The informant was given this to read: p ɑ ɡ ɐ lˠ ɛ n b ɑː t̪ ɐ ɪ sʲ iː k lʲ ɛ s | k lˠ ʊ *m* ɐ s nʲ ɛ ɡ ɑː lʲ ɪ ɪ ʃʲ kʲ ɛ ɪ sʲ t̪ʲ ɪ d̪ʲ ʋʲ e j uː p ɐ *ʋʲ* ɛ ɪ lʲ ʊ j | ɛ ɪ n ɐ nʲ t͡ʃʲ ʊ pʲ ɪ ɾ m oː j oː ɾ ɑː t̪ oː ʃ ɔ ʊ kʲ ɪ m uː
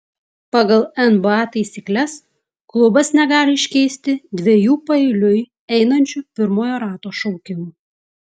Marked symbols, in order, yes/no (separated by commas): no, no